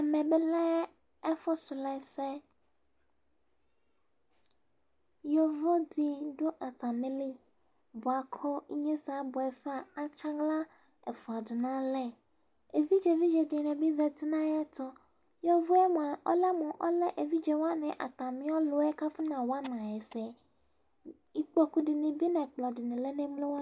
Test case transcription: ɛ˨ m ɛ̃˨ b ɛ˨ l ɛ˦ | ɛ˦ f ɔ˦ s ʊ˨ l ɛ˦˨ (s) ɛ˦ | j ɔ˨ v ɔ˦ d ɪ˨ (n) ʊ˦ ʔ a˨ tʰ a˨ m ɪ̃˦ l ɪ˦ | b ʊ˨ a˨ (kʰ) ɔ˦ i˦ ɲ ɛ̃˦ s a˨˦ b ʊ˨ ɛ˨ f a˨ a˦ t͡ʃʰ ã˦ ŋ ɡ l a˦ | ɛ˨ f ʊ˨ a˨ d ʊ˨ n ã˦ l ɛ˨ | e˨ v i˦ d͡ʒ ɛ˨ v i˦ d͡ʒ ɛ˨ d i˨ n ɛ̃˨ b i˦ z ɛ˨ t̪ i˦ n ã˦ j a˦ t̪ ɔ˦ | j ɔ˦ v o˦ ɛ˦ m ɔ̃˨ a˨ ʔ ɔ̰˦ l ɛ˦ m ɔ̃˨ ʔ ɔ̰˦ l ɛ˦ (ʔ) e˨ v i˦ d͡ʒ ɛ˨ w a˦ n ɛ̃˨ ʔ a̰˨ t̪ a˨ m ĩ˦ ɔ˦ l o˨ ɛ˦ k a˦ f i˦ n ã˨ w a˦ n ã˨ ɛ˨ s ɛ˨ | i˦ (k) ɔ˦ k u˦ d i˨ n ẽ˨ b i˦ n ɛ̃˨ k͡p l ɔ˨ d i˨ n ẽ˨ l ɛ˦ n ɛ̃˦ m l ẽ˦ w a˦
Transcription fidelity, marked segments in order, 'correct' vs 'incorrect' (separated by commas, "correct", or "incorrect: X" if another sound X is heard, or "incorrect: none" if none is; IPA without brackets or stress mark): correct, incorrect: d, correct, correct, incorrect: k͡p